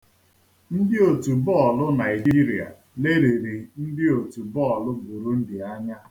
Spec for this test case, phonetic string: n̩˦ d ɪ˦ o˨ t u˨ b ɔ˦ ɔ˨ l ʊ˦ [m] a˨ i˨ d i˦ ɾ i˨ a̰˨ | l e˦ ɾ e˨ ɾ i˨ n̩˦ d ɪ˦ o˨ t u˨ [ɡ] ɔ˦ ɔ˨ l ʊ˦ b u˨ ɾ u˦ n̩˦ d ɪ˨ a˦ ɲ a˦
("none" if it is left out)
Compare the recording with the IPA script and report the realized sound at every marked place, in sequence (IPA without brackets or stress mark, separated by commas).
n, b